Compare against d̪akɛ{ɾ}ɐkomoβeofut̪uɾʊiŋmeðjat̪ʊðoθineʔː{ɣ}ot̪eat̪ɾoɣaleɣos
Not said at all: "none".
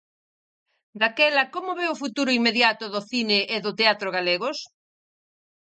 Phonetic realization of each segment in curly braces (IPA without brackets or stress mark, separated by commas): l, ð